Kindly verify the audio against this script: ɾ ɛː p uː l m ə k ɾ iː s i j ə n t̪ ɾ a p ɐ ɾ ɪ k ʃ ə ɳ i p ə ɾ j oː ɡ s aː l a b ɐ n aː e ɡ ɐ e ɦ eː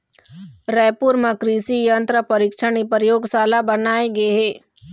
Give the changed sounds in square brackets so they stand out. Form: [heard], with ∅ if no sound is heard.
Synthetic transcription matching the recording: ɾ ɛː p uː [ɾ] m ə k ɾ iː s i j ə n t̪ ɾ [ə] p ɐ ɾ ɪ k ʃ ə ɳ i p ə ɾ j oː ɡ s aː l a b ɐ n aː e ɡ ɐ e ɦ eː